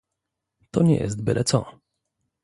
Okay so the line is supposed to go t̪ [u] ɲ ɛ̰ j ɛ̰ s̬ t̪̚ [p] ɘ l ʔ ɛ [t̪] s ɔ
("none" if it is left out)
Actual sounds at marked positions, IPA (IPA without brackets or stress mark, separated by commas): ɔ, b, t̪